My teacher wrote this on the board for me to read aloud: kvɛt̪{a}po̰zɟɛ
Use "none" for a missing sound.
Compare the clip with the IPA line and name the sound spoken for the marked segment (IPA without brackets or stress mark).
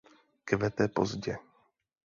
ɛ